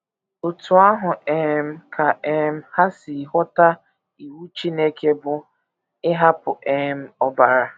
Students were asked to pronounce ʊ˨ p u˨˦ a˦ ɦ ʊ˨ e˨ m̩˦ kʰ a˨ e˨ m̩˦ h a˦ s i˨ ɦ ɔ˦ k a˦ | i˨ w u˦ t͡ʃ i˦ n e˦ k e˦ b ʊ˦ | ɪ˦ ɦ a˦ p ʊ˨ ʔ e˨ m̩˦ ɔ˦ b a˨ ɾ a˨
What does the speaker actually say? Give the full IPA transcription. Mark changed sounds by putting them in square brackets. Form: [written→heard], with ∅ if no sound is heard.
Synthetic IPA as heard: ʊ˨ [p→t] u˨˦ a˦ ɦ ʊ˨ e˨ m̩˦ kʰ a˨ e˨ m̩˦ h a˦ s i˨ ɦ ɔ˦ [k→t] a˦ | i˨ w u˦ t͡ʃ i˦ n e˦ k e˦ b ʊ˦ | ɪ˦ ɦ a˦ p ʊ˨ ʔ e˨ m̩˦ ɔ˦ b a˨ ɾ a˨